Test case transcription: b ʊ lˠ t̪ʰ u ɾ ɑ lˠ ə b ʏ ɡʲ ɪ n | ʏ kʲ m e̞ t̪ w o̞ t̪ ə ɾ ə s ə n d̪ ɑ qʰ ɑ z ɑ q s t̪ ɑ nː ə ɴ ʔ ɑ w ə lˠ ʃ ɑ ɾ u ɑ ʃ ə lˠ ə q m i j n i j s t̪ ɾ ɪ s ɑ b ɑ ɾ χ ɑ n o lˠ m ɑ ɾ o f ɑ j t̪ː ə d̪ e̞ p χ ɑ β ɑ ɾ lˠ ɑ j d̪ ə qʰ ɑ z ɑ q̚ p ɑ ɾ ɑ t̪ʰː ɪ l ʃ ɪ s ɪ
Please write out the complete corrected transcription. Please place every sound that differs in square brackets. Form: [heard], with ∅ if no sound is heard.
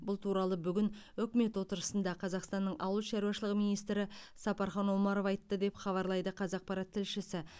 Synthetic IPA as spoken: b ʊ lˠ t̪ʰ u ɾ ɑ lˠ ə b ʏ ɡʲ ɪ n | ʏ kʲ m e̞ t̪ w o̞ t̪ ə ɾ ə s ə n d̪ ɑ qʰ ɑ z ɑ q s t̪ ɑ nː ə ɴ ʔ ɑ w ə lˠ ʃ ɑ ɾ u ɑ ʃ ə lˠ ə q m i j n i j s t̪ ɾ ɪ s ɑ [p] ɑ ɾ χ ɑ n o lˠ m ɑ ɾ o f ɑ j t̪ː ə d̪ e̞ p χ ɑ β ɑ ɾ lˠ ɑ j d̪ ə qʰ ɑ z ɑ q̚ p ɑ ɾ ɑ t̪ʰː ɪ l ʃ ɪ s ɪ